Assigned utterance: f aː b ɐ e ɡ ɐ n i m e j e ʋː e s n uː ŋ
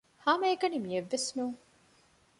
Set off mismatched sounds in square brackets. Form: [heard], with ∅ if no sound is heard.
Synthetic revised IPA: [h] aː [m] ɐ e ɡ ɐ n i m [i] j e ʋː e s n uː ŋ